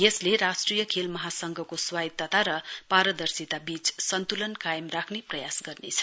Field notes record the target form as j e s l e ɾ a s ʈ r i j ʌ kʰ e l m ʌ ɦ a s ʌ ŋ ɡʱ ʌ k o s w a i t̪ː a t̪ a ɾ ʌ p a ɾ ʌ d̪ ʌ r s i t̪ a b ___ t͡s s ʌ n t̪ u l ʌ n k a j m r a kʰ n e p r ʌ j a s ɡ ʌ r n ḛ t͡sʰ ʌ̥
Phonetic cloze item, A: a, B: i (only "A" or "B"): B